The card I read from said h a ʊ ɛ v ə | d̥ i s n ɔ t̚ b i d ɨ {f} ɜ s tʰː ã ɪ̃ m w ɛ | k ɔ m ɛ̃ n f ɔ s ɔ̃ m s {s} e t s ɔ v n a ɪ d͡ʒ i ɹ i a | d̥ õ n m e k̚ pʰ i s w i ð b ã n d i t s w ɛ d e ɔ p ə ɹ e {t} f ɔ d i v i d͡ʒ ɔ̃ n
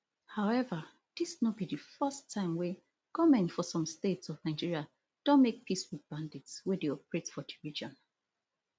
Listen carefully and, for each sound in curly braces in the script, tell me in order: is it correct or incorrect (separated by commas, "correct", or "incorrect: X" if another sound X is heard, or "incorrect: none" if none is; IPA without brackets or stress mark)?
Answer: correct, incorrect: t, correct